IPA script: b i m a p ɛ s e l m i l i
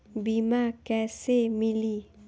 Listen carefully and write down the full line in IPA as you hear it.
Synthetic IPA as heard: b i m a k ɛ s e m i l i